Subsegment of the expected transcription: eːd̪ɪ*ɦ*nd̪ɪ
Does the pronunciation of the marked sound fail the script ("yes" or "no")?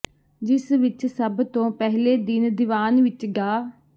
yes